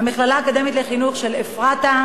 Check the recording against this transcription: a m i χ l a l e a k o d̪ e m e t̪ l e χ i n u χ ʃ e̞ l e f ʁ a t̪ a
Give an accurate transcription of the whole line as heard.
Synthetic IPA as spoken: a m i χ l a l a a k o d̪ e m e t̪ l e χ i n u χ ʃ e̞ l e f ʁ a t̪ a